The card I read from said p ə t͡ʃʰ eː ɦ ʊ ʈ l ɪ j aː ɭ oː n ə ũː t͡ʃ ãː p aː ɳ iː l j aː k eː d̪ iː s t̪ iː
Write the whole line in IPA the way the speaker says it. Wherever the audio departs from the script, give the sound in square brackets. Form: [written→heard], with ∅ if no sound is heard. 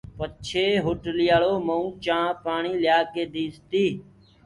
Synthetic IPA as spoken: p ə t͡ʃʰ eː ɦ ʊ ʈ l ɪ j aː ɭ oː [n→m] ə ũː t͡ʃ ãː p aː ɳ iː l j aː k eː d̪ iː s t̪ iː

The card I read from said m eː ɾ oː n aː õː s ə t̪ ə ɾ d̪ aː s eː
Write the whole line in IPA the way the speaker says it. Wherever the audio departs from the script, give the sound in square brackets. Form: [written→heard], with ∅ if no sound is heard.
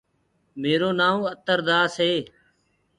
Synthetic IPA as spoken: m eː ɾ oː n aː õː [s→∅] ə t̪ ə ɾ d̪ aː s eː

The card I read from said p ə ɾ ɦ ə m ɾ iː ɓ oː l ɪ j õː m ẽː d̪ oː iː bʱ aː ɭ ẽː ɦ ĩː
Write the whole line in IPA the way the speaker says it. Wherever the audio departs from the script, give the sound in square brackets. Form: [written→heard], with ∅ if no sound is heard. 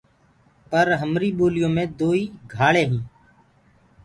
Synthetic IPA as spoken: p ə ɾ ɦ ə m ɾ iː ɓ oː l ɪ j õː m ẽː d̪ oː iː [bʱ→ɡʱ] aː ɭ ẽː ɦ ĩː

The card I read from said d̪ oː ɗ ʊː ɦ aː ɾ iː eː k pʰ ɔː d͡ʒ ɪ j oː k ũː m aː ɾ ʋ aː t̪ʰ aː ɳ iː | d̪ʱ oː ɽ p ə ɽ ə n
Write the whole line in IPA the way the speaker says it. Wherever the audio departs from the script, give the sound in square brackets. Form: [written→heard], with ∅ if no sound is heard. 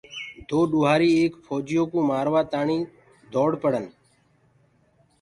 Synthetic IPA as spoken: d̪ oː ɗ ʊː ɦ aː ɾ iː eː k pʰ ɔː d͡ʒ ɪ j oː k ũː m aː ɾ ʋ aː [t̪ʰ→t̪] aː ɳ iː | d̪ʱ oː ɽ p ə ɽ ə n

